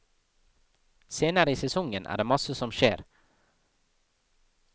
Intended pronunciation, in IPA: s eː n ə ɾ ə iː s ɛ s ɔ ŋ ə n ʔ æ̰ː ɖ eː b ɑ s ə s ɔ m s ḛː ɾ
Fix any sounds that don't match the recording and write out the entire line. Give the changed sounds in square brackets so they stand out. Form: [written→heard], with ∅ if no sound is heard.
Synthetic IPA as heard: s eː n ə ɾ ə iː s ɛ s ɔ ŋ ə n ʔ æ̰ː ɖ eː [b→m] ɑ s ə s ɔ m [s→ʃ] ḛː ɾ

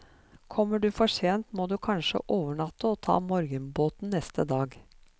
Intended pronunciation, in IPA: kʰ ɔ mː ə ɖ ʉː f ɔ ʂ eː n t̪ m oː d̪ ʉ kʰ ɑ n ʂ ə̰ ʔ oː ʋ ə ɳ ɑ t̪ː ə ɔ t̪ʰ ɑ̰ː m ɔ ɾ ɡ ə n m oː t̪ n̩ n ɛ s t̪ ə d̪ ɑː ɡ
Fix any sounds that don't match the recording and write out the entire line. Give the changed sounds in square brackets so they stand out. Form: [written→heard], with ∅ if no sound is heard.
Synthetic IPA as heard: kʰ ɔ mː ə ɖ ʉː f ɔ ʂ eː n t̪ m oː d̪ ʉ kʰ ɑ n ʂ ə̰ ʔ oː ʋ ə ɳ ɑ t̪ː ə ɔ t̪ʰ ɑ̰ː m ɔ ɾ ɡ ə n [m→b] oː t̪ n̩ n ɛ s t̪ ə d̪ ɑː ɡ

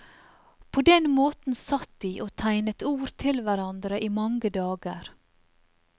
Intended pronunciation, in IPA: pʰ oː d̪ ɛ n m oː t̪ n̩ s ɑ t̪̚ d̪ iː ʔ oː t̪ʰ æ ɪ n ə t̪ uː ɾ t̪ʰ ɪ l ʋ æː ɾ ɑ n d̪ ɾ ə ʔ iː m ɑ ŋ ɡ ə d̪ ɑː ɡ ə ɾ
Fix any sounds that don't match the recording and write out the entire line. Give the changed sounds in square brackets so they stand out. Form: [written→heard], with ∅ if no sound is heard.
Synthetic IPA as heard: pʰ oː d̪ ɛ n m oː t̪ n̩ s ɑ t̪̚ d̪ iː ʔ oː t̪ʰ æ ɪ n ə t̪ uː ɾ t̪ʰ ɪ l ʋ [æː→æ] ɾ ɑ n d̪ ɾ ə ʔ iː m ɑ ŋ ɡ ə d̪ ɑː ɡ ə ɾ

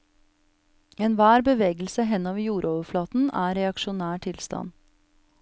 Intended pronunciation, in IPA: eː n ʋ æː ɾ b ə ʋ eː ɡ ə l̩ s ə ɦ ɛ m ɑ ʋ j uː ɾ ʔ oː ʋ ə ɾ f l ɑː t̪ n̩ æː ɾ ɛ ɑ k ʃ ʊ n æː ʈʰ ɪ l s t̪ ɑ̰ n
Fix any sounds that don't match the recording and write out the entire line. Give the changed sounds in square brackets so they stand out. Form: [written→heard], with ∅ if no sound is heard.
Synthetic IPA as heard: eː n ʋ æː ɾ b ə ʋ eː ɡ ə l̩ s ə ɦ ɛ [m→n] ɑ ʋ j uː ɾ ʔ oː ʋ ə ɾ f l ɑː t̪ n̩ æː ɾ ɛ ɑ k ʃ ʊ n æː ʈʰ ɪ l s t̪ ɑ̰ n

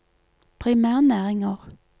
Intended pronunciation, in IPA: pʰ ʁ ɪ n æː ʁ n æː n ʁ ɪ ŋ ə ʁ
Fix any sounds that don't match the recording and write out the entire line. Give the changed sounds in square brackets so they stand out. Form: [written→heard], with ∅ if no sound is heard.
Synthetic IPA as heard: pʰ ʁ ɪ [n→m] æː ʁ n æː [n→∅] ʁ ɪ ŋ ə ʁ

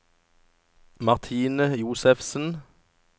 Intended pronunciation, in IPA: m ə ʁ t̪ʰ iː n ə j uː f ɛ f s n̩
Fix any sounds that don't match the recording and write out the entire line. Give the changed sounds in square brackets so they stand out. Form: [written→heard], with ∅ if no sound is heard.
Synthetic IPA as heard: m [ə→ɑ] ʁ t̪ʰ iː n ə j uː [f→s] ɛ f s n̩

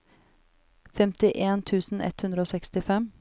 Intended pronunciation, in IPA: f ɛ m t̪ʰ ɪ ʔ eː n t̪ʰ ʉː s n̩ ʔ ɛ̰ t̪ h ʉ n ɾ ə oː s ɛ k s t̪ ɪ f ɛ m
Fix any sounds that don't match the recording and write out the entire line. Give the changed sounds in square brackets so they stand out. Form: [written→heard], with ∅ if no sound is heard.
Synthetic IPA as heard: f ɛ m [t̪ʰ→t̪] ɪ ʔ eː n t̪ʰ ʉː s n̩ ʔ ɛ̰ t̪ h ʉ n ɾ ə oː s ɛ k s t̪ ɪ f ɛ m

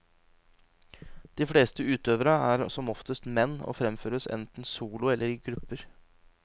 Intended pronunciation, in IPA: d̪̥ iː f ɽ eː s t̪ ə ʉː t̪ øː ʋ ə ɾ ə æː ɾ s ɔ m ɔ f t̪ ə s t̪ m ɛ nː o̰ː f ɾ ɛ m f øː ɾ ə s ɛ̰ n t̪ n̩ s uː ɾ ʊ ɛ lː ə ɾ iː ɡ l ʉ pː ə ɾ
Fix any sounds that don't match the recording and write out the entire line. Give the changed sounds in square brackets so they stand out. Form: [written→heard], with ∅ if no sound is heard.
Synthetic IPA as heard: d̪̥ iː f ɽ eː s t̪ ə ʉː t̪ øː ʋ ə ɾ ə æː ɾ s ɔ m ɔ f t̪ ə s t̪ m ɛ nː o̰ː f ɾ ɛ m f øː ɾ ə s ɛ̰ n t̪ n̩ s uː [ɾ→l] ʊ ɛ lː ə ɾ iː ɡ [l→ɾ] ʉ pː ə ɾ

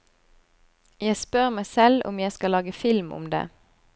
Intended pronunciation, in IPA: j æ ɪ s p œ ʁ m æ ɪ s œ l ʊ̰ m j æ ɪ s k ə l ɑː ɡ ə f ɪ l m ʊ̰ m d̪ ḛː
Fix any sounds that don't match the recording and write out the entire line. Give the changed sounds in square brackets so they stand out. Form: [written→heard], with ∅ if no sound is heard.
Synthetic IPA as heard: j æ ɪ s p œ ʁ m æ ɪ s [œ→ɛ] l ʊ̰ m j æ ɪ s k [ə→ɑ] l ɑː ɡ ə f ɪ l m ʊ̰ m d̪ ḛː

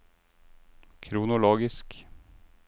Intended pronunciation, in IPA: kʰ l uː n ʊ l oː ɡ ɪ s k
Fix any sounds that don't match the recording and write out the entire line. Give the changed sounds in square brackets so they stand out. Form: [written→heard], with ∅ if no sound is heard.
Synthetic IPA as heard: kʰ [l→ɾ] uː n ʊ l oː ɡ ɪ s k

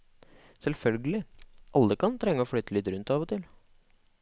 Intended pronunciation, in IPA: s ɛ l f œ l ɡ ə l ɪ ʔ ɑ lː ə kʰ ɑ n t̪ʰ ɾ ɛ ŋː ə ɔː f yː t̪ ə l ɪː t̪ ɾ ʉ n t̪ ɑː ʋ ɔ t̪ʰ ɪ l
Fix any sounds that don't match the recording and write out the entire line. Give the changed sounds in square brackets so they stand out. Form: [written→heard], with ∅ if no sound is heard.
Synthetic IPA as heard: s ɛ l f œ l ɡ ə l ɪ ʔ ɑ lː ə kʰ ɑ n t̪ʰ ɾ ɛ ŋː ə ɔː f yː t̪ ə l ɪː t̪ ɾ ʉ n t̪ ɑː ʋ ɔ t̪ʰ ɪ l

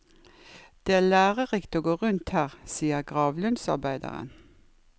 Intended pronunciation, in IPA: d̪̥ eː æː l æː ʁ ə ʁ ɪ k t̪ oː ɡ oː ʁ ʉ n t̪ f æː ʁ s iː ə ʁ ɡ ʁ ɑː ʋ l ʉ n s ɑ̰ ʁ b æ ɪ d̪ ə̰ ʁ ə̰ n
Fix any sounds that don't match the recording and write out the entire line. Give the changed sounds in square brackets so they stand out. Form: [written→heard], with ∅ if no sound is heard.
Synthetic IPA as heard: d̪̥ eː æː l æː ʁ ə ʁ ɪ k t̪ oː ɡ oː ʁ ʉ n t̪ [f→h] æː ʁ s iː ə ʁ ɡ ʁ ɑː ʋ l ʉ n s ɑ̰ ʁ b æ ɪ d̪ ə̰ ʁ ə̰ n

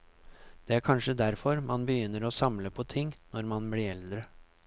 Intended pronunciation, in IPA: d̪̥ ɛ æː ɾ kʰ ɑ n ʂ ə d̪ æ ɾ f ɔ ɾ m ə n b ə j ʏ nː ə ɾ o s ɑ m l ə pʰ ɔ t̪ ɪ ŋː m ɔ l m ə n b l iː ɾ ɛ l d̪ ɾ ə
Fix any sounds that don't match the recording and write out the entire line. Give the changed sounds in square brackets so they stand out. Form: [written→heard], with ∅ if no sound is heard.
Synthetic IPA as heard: d̪̥ ɛ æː ɾ kʰ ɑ n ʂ ə d̪ æ ɾ f ɔ ɾ m [ə→ɑ] n b ə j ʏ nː ə ɾ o s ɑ m l ə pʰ ɔ [t̪→t̪ʰ] ɪ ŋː [m→n] ɔ [l→ɾ] m [ə→ɑ] n b l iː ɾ ɛ l d̪ ɾ ə

